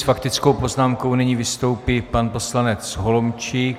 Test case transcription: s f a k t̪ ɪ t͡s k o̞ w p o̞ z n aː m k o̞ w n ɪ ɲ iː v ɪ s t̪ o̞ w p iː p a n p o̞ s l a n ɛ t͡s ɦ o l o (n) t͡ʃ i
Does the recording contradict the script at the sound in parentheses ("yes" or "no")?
yes